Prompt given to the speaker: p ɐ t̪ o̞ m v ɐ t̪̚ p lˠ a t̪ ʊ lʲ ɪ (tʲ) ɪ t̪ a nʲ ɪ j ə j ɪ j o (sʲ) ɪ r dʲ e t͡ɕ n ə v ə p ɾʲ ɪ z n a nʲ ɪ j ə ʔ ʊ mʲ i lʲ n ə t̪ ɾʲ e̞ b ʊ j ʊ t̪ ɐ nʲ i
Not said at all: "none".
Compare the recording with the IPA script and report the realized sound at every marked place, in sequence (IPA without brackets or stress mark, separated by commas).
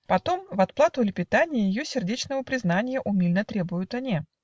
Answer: pʲ, sʲ